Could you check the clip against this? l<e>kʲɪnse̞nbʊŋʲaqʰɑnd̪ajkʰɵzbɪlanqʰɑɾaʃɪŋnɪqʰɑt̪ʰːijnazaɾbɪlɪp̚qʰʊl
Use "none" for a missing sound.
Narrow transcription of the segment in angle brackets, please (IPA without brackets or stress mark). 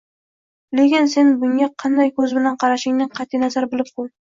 e